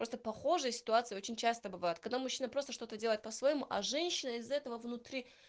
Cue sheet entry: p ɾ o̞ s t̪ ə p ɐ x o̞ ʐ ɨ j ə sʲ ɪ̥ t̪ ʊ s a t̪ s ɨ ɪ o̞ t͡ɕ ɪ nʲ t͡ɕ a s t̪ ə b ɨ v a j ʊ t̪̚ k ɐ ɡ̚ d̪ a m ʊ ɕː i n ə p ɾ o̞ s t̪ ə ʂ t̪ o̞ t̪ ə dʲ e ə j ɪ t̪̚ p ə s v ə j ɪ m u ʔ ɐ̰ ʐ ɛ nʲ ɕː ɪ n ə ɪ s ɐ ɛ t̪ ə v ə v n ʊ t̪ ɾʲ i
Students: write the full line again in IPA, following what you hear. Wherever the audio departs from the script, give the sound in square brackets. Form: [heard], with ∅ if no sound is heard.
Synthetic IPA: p ɾ o̞ s t̪ ə p ɐ x o̞ ʐ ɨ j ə sʲ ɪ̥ t̪ ʊ [∅] a t̪ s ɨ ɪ o̞ t͡ɕ ɪ nʲ t͡ɕ a s t̪ ə b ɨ v a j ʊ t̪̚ k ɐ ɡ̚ d̪ a m ʊ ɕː i n ə p ɾ o̞ s t̪ ə ʂ t̪ o̞ t̪ ə dʲ e ə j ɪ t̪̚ p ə s v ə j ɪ m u ʔ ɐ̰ ʐ ɛ nʲ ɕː ɪ n ə ɪ [z] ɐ ɛ t̪ ə v ə v n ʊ t̪ ɾʲ i

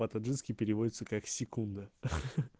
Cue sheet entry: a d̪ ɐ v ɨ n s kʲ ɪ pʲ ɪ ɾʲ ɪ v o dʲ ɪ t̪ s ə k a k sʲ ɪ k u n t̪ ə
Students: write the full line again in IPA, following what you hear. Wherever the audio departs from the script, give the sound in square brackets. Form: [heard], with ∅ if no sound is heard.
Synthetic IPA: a [t̪] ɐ [ʐ] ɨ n s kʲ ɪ pʲ ɪ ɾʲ ɪ v o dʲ ɪ t̪ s ə k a k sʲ ɪ k u n [d̪] ə

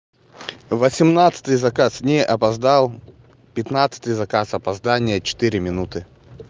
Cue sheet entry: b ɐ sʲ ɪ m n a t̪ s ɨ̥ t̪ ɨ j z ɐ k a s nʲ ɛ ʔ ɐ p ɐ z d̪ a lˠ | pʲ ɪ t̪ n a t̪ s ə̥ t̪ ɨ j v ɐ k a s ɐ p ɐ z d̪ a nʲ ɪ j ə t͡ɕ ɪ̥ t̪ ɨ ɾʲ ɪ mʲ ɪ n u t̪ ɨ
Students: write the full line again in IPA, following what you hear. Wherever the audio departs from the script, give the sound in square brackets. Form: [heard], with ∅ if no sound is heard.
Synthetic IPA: [v] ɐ sʲ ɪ m n a t̪ s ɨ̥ t̪ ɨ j z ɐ k a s nʲ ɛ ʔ ɐ p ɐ z d̪ a lˠ | pʲ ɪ t̪ n a t̪ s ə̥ t̪ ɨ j [z] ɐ k a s ɐ p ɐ z d̪ a nʲ ɪ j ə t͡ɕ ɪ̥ t̪ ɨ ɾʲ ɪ mʲ ɪ n u t̪ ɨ

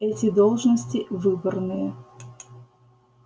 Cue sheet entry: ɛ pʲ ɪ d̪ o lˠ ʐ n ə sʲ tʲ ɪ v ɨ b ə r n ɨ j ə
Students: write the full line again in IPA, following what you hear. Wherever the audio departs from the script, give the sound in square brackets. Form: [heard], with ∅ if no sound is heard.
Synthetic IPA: ɛ [tʲ] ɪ d̪ o lˠ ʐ n ə sʲ tʲ ɪ v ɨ b ə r n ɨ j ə

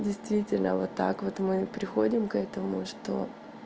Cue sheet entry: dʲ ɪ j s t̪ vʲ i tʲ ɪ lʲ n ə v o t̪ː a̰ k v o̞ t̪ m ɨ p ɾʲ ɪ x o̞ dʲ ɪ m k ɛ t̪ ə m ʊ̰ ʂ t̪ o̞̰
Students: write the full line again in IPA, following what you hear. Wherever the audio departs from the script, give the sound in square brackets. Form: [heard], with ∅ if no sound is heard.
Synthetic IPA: dʲ ɪ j s t̪ vʲ i tʲ ɪ lʲ n ə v o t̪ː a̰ k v o̞ t̪ m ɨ p ɾʲ ɪ x o̞ dʲ ɪ m k ɛ t̪ ə m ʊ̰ ʂ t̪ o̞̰

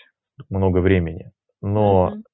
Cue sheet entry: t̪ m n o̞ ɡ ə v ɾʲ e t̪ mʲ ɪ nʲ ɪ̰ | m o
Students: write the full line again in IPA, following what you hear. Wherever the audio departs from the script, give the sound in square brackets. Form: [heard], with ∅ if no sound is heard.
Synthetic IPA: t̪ m n o̞ ɡ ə v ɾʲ e [∅] mʲ ɪ nʲ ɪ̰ | [n] o

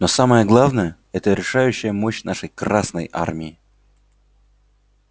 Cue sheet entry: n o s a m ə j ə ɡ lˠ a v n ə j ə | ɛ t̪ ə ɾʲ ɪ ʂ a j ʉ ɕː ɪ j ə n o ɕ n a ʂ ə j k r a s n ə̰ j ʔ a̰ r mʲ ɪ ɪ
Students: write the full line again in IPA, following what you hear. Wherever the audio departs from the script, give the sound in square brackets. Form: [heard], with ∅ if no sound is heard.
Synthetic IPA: n o s a m ə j ə ɡ lˠ a v n ə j ə | ɛ t̪ ə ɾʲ ɪ ʂ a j ʉ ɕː ɪ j ə [m] o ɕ n a ʂ ə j k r a s n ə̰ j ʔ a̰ r mʲ ɪ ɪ

